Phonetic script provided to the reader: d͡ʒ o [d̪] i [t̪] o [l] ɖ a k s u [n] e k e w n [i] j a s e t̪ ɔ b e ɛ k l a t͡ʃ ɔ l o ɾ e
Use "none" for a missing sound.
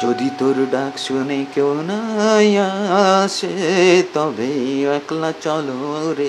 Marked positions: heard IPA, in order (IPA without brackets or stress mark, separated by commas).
d̪, t̪, ɾ, n, a